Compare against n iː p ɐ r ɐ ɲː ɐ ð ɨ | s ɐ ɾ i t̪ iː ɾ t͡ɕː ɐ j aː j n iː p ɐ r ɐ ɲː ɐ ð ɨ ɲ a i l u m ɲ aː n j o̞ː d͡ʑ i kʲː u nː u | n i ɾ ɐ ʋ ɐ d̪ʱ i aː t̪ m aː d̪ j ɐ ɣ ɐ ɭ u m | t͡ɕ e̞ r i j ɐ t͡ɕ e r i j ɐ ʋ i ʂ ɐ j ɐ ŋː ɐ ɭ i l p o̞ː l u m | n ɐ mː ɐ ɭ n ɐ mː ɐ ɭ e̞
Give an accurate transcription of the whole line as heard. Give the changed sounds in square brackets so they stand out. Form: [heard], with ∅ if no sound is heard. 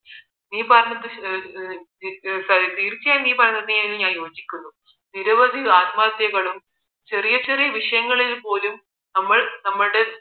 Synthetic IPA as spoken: n iː p ɐ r ɐ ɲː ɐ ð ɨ | s ɐ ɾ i t̪ iː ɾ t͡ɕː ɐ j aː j n iː p ɐ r ɐ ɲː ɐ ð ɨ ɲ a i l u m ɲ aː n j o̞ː d͡ʑ i kʲː u nː u | n i ɾ ɐ ʋ ɐ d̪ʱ i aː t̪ m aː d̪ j ɐ ɣ ɐ ɭ u m | t͡ɕ e̞ r i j ɐ t͡ɕ e r i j ɐ ʋ i ʂ ɐ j ɐ ŋː ɐ ɭ i l p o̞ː l u m | n ɐ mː ɐ ɭ n ɐ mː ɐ [ɽ] e̞